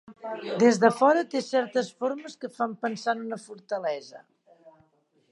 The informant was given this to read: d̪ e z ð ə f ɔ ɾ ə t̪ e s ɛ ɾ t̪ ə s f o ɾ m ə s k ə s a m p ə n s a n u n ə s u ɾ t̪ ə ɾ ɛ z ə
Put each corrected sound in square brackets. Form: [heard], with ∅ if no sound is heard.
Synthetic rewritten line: d̪ e z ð ə f ɔ ɾ ə t̪ e s ɛ ɾ t̪ ə s f o ɾ m ə s k ə [f] a m p ə n s a n u n ə [f] u ɾ t̪ ə [l] ɛ z ə